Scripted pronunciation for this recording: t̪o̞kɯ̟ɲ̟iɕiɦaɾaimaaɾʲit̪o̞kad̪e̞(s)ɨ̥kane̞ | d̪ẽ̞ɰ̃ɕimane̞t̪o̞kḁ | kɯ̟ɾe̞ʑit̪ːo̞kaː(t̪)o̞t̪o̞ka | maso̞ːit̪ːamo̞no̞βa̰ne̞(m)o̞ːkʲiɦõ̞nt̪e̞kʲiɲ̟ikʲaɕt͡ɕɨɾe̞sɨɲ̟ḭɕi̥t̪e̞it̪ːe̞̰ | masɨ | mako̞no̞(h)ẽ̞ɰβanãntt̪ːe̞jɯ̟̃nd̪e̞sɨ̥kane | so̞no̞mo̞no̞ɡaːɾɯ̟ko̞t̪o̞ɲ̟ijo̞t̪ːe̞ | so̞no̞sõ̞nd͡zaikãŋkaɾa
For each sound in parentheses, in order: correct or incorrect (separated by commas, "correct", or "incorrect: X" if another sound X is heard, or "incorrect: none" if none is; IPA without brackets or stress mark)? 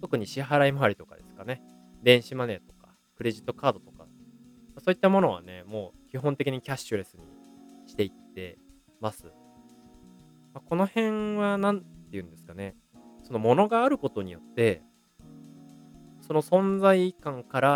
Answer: correct, incorrect: d̪, correct, correct